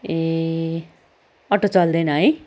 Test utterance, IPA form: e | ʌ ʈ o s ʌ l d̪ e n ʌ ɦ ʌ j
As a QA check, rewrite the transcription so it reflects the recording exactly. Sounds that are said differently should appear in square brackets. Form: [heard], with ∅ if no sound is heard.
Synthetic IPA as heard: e | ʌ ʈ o [t͡s] ʌ l d̪ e n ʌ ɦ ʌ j